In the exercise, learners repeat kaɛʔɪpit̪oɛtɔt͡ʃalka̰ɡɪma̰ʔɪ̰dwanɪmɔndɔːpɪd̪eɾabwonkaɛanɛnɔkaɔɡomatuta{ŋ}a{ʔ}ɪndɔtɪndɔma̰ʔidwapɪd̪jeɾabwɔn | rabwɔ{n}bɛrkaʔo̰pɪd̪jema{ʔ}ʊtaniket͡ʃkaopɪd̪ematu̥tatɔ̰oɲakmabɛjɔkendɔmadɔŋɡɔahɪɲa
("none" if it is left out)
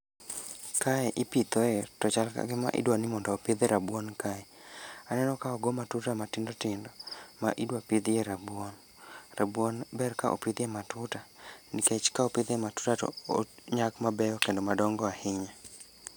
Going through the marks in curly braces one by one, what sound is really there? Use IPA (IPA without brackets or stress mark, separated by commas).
m, t, n, t